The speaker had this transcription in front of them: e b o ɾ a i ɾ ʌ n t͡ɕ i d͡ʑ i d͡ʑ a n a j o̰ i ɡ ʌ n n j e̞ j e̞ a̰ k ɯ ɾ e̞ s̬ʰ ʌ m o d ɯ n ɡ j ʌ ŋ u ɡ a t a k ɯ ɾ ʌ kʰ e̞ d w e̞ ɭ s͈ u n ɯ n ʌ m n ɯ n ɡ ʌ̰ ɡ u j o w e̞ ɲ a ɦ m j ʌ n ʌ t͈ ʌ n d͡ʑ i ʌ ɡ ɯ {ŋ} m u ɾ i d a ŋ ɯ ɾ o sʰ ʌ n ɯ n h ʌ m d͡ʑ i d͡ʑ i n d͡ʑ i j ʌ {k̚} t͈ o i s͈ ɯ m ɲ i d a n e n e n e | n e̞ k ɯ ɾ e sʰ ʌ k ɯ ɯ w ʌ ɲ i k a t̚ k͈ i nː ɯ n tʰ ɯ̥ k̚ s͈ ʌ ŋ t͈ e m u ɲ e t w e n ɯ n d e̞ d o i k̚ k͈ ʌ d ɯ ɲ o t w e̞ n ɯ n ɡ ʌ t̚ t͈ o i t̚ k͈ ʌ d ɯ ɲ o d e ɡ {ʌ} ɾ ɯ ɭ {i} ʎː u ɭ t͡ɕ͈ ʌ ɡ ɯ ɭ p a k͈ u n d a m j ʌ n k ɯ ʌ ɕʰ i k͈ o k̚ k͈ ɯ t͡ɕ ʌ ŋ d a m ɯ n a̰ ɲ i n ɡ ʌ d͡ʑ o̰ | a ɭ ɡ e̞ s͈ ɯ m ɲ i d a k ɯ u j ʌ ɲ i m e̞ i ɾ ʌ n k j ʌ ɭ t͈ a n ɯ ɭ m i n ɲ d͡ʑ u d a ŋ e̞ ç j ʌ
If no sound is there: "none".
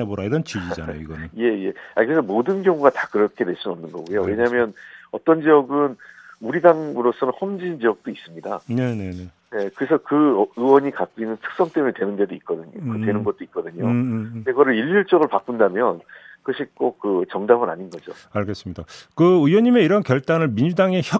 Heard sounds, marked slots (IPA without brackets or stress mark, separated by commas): n, k̚, ʌ, i